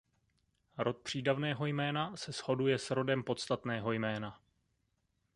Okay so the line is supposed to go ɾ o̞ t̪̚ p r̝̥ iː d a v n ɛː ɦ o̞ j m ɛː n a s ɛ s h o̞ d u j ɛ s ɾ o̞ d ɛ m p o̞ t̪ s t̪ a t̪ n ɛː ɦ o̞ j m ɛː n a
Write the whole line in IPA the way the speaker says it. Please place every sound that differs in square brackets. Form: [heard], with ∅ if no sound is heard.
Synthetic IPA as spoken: ɾ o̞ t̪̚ p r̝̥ iː d a v n ɛː ɦ o̞ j m ɛː n a s ɛ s h o̞ d u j ɛ s ɾ o̞ d ɛ m p o̞ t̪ s t̪ a t̪ n ɛː ɦ o̞ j m ɛː n a